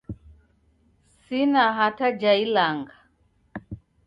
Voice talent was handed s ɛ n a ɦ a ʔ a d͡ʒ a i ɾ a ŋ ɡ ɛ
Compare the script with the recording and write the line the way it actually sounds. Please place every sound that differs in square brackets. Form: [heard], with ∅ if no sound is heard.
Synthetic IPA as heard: s [i] n a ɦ a [t] a d͡ʒ a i [l] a ŋ ɡ [a]